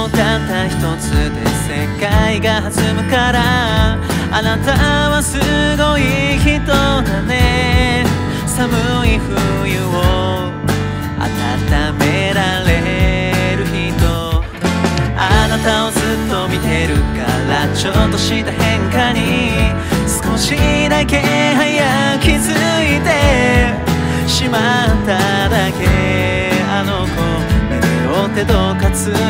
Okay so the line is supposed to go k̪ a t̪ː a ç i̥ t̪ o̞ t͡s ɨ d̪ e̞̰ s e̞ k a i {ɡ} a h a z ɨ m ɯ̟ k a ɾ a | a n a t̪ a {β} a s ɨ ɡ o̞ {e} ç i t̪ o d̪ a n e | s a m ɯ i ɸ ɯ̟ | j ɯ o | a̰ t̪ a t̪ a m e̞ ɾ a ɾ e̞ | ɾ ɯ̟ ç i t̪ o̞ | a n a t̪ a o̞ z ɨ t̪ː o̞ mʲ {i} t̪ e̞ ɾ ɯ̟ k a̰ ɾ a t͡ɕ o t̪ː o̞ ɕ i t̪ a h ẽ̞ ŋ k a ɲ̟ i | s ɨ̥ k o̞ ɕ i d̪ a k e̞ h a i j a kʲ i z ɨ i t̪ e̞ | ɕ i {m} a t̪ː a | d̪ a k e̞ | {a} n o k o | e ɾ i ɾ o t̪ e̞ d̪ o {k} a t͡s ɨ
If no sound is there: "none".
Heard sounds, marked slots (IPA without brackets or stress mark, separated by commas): ɡ, β, i, i, m, a, k